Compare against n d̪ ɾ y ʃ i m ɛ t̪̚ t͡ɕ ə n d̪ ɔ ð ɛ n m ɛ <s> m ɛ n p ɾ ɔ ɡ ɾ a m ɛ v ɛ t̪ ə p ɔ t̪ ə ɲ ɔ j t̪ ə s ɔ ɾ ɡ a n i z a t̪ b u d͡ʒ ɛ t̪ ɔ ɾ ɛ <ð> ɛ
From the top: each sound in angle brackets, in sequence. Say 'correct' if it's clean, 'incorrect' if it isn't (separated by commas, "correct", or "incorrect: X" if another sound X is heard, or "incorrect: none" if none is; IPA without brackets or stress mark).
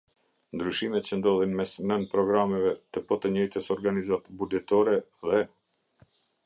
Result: correct, correct